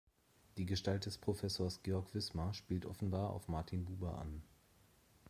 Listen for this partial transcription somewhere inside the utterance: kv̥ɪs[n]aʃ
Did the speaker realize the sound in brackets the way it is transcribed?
no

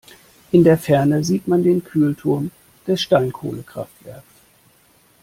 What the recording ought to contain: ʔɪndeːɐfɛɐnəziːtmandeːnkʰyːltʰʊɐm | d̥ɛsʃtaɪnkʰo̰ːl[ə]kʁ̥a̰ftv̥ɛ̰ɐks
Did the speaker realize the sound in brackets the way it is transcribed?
yes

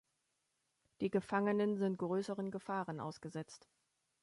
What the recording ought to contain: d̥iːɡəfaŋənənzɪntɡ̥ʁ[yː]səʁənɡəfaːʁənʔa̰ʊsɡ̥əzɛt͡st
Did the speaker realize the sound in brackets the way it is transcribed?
no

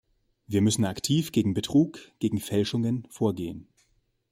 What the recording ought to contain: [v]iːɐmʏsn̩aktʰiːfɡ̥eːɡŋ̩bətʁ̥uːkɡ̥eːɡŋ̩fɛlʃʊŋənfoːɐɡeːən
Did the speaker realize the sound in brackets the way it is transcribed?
yes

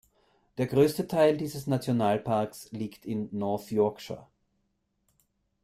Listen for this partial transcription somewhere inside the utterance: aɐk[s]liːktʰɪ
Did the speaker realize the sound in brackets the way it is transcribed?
yes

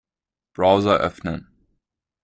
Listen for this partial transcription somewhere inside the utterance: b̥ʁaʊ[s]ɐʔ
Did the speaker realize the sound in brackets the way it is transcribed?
no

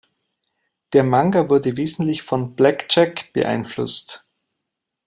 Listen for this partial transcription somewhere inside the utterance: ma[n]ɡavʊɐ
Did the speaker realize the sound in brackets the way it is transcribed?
no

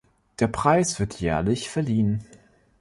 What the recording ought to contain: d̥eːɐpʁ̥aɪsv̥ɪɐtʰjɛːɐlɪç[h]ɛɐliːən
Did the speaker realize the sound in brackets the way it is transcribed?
no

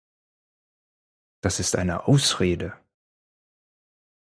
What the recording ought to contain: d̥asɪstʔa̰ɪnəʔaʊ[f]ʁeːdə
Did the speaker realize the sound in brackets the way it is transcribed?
no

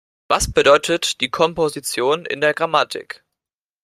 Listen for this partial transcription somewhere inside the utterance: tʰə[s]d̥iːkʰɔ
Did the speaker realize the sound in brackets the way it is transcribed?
no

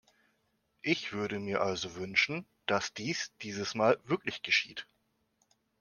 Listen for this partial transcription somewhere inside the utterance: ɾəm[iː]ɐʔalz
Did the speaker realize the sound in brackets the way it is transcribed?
yes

